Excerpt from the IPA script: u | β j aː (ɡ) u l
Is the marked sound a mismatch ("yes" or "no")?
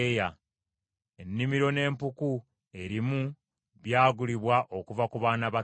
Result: no